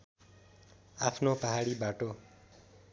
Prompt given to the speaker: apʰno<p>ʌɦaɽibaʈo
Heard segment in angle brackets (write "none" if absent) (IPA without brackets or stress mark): p